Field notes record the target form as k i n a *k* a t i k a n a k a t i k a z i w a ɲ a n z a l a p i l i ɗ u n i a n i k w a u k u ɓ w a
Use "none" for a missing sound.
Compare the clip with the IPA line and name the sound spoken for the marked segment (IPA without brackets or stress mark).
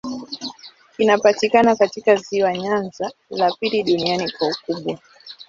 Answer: p